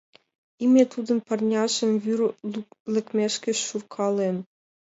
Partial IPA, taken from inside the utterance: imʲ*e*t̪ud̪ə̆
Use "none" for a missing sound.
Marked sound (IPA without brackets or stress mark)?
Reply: e